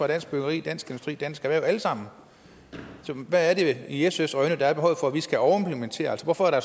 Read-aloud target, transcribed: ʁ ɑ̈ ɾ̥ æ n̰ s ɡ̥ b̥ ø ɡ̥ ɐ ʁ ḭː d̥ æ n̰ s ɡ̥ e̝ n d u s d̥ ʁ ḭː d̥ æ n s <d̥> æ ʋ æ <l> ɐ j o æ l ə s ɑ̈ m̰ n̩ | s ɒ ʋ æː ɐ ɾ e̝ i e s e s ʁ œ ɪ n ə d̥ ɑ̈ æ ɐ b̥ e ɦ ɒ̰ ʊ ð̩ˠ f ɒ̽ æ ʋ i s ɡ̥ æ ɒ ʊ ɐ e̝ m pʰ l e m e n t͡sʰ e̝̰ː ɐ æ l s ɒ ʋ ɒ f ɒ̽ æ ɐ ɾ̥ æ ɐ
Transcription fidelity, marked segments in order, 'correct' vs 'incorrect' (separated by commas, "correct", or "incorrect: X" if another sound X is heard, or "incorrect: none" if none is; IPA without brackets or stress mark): incorrect: ɡ̥, incorrect: none